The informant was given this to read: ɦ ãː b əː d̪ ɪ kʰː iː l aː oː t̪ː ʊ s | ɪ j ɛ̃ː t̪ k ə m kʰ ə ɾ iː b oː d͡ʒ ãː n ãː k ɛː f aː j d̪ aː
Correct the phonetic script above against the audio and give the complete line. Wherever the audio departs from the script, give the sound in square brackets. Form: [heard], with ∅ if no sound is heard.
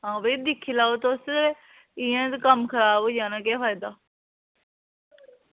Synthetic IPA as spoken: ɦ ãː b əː d̪ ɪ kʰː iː l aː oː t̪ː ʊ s | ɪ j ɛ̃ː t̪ k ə m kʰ ə ɾ [aː] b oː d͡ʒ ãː n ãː k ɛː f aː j d̪ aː